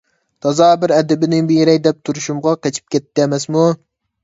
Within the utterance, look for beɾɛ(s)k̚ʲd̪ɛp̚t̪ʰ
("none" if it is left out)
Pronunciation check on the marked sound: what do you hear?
none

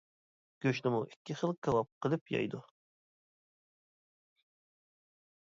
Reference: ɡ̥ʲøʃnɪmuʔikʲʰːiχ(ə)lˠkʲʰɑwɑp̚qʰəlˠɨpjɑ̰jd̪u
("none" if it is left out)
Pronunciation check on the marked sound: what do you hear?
ə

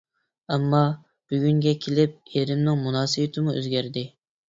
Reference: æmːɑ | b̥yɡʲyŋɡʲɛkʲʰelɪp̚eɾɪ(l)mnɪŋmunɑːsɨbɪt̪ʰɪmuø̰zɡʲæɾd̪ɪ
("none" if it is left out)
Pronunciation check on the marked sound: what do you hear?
none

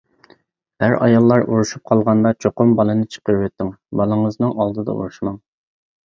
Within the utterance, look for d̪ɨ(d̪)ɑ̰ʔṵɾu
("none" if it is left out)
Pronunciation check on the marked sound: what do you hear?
d̪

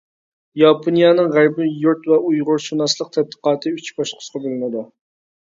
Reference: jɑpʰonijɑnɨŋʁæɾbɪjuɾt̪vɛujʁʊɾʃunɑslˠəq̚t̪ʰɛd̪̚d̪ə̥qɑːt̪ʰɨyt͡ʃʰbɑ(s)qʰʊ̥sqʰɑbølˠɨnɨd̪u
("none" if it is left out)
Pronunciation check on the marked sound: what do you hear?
ʃ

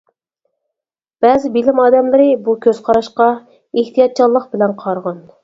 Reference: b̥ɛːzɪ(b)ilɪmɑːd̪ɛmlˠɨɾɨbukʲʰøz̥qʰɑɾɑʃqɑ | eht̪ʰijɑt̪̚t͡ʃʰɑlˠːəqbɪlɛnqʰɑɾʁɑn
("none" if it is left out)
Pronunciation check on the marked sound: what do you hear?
b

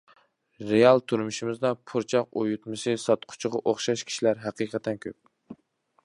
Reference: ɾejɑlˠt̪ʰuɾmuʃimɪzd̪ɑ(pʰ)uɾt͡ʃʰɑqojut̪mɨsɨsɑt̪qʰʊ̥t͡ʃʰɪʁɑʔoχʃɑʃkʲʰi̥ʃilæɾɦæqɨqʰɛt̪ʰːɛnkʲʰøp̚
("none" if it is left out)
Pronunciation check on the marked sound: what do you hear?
pʰ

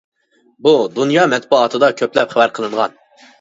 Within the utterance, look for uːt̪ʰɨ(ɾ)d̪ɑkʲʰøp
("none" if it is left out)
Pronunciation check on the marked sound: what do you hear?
none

